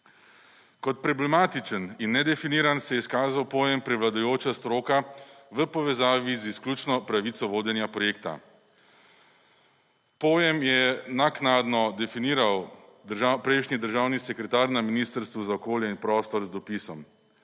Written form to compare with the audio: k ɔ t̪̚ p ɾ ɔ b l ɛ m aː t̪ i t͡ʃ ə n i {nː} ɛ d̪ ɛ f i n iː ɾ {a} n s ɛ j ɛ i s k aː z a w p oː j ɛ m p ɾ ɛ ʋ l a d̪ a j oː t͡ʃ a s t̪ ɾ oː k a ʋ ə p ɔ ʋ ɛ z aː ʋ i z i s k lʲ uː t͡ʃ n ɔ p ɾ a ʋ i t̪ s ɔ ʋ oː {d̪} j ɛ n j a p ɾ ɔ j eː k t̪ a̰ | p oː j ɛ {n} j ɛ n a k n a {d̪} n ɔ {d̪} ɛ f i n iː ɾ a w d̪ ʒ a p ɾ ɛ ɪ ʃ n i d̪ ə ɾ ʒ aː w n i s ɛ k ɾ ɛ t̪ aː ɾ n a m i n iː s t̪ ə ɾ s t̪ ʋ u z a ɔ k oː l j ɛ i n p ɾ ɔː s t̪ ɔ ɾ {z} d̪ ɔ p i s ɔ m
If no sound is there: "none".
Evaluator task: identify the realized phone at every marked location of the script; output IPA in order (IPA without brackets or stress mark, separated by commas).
nː, a, d̪, m, d̪, d̪, z